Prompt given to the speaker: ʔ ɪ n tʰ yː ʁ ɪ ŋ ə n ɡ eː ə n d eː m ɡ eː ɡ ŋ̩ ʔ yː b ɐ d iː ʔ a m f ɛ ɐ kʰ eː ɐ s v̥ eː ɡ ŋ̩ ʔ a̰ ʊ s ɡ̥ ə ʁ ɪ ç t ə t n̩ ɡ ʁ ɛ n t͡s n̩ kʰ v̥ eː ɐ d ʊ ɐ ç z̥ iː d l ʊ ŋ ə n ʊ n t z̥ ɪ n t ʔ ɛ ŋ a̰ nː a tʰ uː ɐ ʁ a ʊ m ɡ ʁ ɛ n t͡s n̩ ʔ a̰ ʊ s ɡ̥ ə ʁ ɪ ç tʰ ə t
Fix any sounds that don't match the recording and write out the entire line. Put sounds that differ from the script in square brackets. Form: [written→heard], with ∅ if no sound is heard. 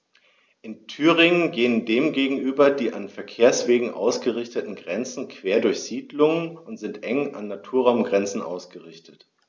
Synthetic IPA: ʔ ɪ n tʰ yː ʁ ɪ ŋ ə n ɡ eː ə n d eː m ɡ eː ɡ ŋ̩ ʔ yː b ɐ d iː ʔ a [m→n] f ɛ ɐ kʰ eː ɐ s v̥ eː ɡ ŋ̩ ʔ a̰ ʊ s ɡ̥ ə ʁ ɪ ç t ə t n̩ ɡ ʁ ɛ n t͡s n̩ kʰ v̥ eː ɐ d ʊ ɐ ç z̥ iː d l ʊ ŋ ə n ʊ n t z̥ ɪ n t ʔ ɛ ŋ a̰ nː a tʰ uː ɐ ʁ a ʊ m ɡ ʁ ɛ n t͡s n̩ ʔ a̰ ʊ s ɡ̥ ə ʁ ɪ ç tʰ ə t